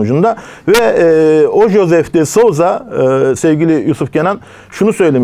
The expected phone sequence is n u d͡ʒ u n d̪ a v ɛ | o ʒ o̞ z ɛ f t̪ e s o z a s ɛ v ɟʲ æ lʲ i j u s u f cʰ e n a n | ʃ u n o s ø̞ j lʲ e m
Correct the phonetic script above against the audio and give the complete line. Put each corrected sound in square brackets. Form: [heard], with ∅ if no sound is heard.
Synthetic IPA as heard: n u d͡ʒ u n d̪ a v ɛ | o ʒ o̞ z ɛ f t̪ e s o z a s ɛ v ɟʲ [i] lʲ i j u s u f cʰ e n a n | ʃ u n [u] s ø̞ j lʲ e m